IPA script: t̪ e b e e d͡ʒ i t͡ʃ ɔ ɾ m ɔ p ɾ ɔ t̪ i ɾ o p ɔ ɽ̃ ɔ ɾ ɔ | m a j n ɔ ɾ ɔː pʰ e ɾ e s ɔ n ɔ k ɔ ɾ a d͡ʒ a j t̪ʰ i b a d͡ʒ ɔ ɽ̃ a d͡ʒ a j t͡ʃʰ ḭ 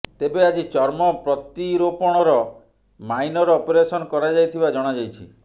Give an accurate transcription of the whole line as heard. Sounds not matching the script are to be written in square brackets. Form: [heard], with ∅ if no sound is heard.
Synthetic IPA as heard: t̪ e b e [a] d͡ʒ i t͡ʃ ɔ ɾ m ɔ p ɾ ɔ t̪ i ɾ o p ɔ ɽ̃ ɔ ɾ ɔ | m a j n ɔ ɾ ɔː [p] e ɾ e s ɔ n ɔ k ɔ ɾ a d͡ʒ a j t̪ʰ i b a d͡ʒ ɔ ɽ̃ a d͡ʒ a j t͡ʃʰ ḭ

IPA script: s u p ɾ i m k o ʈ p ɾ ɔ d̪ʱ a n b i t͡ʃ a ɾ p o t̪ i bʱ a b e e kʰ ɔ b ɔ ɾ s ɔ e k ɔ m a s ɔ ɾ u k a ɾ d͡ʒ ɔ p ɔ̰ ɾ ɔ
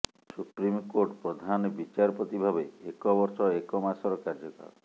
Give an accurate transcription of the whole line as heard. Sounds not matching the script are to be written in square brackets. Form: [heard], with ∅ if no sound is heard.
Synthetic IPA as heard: s u p ɾ i m k o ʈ p ɾ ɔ d̪ʱ a n b i t͡ʃ a ɾ p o t̪ i bʱ a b e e [k] ɔ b ɔ ɾ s ɔ e k ɔ m a s ɔ ɾ [ɔ] k a ɾ d͡ʒ ɔ [k] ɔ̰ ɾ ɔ

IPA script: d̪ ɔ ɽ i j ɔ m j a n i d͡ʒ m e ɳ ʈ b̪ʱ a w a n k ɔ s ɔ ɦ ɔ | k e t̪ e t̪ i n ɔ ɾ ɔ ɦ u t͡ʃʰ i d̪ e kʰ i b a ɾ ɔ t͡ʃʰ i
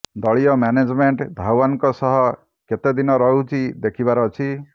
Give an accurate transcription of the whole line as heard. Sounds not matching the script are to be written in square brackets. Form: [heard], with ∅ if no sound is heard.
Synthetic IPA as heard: d̪ ɔ [ɭ] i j ɔ m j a n [e] d͡ʒ m e ɳ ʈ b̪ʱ a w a n k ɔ s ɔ ɦ ɔ | k e t̪ e [d̪] i n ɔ ɾ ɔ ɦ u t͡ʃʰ i d̪ e kʰ i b a ɾ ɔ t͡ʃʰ i

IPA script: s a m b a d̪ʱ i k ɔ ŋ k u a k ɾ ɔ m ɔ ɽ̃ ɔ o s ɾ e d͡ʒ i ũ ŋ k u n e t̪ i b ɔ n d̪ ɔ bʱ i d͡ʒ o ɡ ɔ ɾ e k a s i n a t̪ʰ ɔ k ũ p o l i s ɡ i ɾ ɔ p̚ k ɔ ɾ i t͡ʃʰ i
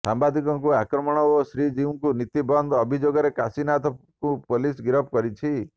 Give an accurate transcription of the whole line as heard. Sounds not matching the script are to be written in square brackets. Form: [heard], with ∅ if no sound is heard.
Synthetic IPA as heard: s a m b a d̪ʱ i k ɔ ŋ k u a k ɾ ɔ m ɔ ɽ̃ ɔ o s ɾ [i] d͡ʒ i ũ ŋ k u n [i] t̪ i b ɔ n d̪ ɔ bʱ i d͡ʒ o ɡ ɔ ɾ e k a s i n a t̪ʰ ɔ k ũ p o l i s ɡ i ɾ ɔ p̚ k ɔ ɾ i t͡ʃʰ i

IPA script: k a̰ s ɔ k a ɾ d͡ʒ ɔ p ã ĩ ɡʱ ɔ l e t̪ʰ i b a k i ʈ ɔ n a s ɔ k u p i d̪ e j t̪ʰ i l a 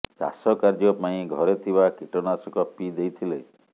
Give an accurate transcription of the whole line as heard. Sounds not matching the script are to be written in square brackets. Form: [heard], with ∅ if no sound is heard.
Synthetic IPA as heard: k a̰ s ɔ k a ɾ d͡ʒ ɔ p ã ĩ ɡʱ ɔ [ɾ] e t̪ʰ i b a k i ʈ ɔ n a s ɔ k [ɔ] p i d̪ e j t̪ʰ i l [e]

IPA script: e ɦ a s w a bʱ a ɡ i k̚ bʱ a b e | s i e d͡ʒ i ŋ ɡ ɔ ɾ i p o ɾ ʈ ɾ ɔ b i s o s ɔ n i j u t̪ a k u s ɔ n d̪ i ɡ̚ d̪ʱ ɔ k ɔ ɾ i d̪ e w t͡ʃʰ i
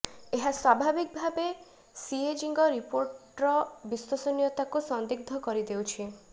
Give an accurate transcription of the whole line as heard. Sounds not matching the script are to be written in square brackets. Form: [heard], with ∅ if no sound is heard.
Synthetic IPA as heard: e ɦ a s w a bʱ a [b] i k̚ bʱ a b e | s i e d͡ʒ i ŋ ɡ ɔ ɾ i p o ɾ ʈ ɾ ɔ b i s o s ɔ n i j [ɔ] t̪ a k u s ɔ n d̪ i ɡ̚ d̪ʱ ɔ k ɔ ɾ i d̪ e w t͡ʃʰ i

